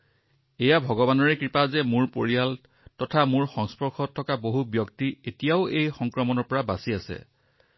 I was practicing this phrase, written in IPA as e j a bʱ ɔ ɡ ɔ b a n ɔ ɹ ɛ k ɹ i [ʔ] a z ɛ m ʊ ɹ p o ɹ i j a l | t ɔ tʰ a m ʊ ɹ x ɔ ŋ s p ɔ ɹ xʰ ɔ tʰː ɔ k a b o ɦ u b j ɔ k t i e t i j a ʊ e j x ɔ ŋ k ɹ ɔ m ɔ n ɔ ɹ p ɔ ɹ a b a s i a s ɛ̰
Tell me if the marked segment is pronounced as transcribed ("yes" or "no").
no